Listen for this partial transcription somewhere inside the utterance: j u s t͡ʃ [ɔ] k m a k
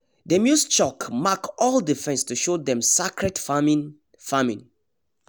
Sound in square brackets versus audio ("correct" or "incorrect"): correct